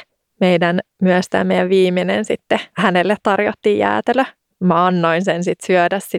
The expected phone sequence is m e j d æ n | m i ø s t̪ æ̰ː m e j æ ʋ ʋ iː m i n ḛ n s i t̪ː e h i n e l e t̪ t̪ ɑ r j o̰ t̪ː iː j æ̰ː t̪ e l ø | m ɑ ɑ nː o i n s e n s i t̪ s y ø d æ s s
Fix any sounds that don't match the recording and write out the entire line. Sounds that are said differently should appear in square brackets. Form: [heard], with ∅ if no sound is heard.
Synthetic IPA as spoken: m e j d æ n | m [y] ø s t̪ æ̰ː m e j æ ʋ ʋ iː m i n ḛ n s i t̪ː e h [æ] n e [lː] e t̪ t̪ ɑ r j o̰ t̪ː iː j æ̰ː t̪ e l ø | m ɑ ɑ nː o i n s e n s i t̪ s y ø d æ s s